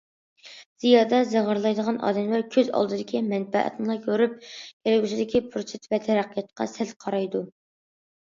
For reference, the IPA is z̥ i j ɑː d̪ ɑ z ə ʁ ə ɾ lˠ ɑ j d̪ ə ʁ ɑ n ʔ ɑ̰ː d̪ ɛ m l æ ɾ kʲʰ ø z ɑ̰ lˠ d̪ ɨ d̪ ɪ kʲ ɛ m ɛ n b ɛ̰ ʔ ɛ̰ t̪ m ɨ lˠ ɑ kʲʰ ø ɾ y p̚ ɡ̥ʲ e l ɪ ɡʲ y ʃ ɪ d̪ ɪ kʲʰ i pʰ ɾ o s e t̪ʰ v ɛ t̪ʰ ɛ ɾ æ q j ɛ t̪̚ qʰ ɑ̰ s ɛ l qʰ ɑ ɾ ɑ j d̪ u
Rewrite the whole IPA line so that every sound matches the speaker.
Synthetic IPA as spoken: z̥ i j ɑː d̪ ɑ z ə ʁ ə ɾ lˠ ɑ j d̪ ə ʁ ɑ n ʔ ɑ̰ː d̪ ɛ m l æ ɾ kʲʰ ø z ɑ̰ lˠ d̪ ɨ d̪ ɪ kʲ i m ɛ n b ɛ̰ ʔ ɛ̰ t̪ n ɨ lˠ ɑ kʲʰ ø ɾ y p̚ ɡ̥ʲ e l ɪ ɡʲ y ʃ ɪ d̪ ɪ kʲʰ i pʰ ɾ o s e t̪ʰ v ɛ t̪ʰ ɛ ɾ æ q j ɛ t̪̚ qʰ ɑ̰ s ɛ l qʰ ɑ ɾ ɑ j d̪ u